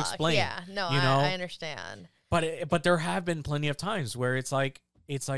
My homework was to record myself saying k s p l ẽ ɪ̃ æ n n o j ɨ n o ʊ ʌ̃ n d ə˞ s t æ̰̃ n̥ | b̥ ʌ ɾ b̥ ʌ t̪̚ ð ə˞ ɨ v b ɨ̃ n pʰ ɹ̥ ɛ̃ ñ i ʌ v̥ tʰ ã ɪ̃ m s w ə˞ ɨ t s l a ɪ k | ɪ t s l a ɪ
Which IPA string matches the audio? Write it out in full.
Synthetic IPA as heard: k s p l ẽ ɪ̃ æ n n o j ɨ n o ʊ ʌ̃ n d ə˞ s t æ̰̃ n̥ | b̥ ʌ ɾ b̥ ʌ t̪̚ ð ə˞ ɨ v b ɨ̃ n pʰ l̥ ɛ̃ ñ i ʌ v̥ tʰ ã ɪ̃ m z w ə˞ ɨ t s l a ɪ k | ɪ t s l a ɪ